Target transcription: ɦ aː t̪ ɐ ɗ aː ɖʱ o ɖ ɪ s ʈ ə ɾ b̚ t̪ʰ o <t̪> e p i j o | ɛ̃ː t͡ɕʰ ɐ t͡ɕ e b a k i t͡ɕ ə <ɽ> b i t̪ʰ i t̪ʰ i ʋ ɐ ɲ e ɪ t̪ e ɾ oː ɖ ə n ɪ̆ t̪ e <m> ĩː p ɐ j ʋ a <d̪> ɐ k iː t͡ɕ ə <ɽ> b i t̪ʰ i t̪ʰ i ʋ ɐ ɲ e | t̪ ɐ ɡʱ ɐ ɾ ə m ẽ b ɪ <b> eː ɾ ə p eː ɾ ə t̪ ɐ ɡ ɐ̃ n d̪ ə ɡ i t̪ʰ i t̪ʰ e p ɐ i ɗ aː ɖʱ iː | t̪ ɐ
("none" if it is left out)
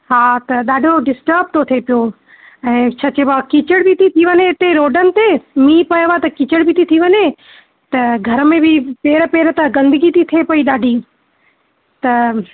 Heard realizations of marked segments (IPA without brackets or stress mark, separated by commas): t̪ʰ, ɽ, m, t̪, ɽ, p